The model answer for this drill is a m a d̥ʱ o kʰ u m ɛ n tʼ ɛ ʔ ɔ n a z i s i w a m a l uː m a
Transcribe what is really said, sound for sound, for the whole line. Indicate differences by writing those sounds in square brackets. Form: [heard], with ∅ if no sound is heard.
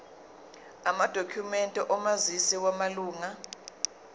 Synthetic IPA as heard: a m a d̥ʱ o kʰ u m ɛ n tʼ ɛ ʔ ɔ [m] a z i s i w a m a l uː [ŋ] a